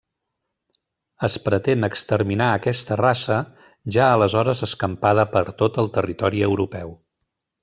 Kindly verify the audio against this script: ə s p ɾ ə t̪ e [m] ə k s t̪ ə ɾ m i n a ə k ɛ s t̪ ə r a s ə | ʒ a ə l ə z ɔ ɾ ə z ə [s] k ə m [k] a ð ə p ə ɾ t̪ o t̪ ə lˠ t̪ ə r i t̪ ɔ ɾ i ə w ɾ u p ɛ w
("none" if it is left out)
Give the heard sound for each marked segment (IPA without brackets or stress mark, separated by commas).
n, s, p